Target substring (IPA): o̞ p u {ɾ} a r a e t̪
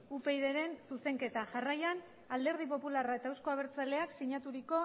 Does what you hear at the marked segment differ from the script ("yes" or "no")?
yes